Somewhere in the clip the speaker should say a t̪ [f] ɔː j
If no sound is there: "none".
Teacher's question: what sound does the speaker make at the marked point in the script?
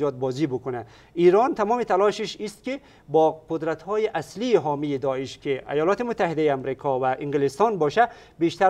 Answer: h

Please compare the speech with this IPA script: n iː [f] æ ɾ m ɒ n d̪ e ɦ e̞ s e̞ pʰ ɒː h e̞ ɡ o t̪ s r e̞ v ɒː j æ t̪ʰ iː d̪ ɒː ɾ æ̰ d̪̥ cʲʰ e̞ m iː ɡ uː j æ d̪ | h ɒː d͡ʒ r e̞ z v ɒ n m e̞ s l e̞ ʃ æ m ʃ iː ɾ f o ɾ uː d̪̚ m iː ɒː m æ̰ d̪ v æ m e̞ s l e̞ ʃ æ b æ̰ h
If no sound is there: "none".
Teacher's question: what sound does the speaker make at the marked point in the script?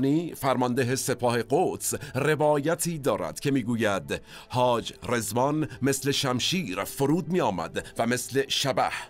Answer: f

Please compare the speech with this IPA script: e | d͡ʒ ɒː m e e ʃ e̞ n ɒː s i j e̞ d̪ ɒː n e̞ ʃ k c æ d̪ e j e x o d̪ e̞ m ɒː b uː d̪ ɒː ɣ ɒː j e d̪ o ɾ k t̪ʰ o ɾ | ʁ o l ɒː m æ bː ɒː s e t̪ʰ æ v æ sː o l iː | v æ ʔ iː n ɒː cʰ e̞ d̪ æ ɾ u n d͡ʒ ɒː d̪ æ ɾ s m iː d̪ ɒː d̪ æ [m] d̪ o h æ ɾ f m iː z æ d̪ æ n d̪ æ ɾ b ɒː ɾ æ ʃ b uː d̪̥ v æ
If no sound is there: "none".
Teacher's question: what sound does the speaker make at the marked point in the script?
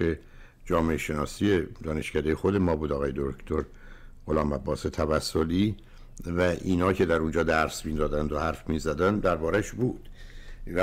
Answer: n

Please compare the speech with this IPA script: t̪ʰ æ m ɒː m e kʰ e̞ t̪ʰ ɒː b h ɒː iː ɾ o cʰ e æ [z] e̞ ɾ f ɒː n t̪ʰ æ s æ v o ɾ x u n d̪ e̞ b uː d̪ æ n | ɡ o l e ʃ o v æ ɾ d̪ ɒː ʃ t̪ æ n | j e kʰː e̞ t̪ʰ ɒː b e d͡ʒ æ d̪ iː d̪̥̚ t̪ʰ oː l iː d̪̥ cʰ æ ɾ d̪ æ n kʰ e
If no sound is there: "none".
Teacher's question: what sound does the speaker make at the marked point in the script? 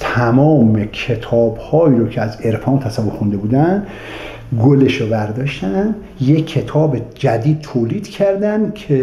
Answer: z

